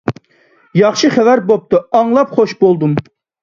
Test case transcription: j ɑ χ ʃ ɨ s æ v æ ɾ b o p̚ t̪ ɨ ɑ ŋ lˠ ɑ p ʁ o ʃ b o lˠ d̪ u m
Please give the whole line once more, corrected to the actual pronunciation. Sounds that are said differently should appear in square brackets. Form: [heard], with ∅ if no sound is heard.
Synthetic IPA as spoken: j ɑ χ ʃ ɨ [χ] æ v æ ɾ b o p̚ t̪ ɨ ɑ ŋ lˠ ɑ p [χ] o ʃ b o lˠ d̪ u m